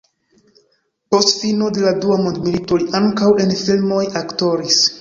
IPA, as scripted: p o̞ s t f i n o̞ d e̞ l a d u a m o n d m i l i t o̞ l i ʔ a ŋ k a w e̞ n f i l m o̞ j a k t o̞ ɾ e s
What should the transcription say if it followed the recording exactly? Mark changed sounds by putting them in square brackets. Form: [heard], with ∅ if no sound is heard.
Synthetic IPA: p o̞ s t f i n o̞ d e̞ l a d u a m o n d m i l i t o̞ l i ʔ a ŋ k a w e̞ n f i l m o̞ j a k t o̞ ɾ [i] s